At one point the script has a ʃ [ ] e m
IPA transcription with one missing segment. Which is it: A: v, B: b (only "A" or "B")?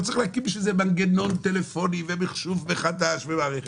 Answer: A